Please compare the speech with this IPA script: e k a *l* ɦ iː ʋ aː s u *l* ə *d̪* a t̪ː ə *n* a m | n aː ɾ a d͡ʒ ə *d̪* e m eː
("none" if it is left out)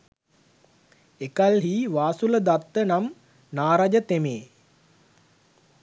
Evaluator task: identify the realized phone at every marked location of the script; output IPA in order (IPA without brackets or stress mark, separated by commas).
l, l, d̪, n, t̪